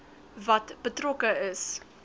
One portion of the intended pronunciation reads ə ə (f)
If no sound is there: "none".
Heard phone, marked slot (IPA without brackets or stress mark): s